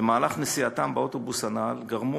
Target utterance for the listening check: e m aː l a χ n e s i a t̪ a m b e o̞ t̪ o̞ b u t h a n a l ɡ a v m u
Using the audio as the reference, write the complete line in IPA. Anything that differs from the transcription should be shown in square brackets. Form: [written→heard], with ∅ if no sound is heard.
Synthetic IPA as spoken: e m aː l a χ n e s i a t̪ a m b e o̞ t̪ o̞ b u [t→s] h a n a l ɡ a [v→ʁ] m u